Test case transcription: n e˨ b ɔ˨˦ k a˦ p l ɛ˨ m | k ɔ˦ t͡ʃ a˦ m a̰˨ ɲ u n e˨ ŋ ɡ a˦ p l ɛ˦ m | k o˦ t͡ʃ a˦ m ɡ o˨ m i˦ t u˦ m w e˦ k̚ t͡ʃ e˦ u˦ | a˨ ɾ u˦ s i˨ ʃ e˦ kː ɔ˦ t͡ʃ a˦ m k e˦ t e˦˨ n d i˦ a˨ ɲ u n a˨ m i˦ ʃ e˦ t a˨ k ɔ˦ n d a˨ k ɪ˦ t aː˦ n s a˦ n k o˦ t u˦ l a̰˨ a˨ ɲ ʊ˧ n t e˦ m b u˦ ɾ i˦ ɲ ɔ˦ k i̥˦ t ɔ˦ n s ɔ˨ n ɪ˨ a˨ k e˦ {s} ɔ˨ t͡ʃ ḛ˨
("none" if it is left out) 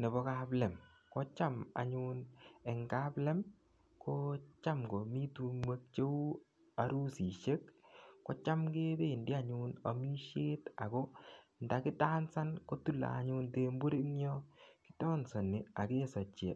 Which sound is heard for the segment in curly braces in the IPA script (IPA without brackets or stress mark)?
s